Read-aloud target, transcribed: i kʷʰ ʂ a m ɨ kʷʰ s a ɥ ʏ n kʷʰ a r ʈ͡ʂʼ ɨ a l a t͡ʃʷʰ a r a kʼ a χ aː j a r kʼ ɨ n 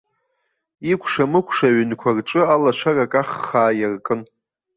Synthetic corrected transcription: i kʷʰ ʂ a m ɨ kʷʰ ʂ a ɥ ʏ n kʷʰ a r ʈ͡ʂʼ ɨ a l a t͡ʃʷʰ a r a kʼ a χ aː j a r kʼ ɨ n